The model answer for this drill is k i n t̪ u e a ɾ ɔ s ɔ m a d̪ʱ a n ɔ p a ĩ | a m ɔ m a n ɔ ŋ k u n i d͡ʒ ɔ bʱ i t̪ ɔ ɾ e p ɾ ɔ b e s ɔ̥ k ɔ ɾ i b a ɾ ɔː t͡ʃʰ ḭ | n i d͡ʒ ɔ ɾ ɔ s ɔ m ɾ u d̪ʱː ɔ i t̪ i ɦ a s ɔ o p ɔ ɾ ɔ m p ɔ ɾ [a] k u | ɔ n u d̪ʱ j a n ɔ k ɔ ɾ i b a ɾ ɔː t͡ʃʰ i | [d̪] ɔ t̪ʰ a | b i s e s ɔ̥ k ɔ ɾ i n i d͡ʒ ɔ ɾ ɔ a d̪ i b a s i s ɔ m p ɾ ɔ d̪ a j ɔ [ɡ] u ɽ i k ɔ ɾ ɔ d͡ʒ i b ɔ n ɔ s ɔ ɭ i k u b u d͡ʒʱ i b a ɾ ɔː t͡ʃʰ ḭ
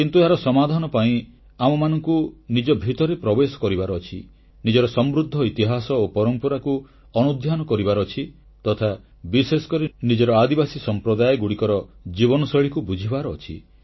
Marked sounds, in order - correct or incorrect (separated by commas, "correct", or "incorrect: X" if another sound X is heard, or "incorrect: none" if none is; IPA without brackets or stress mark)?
correct, incorrect: t̪, correct